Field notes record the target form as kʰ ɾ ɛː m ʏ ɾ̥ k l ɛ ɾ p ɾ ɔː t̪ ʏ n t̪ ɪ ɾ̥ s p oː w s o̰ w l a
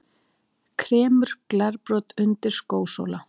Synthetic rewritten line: kʰ ɾ ɛː m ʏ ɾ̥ k l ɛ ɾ p ɾ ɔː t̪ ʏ n t̪ ɪ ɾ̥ s k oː w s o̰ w l a